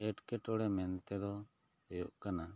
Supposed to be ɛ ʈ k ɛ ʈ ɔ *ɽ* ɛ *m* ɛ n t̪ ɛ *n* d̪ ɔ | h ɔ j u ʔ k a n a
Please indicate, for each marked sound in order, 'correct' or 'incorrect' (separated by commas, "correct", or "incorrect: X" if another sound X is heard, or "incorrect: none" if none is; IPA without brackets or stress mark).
correct, correct, incorrect: none